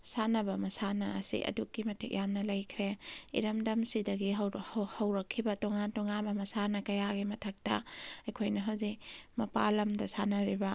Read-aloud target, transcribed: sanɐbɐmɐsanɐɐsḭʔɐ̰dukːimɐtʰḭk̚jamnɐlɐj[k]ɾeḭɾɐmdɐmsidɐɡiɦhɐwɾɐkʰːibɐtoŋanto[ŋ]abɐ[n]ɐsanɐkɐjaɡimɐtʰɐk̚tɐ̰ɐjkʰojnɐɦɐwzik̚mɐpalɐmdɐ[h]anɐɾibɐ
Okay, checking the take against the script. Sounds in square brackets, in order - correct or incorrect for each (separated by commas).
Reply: incorrect, correct, incorrect, incorrect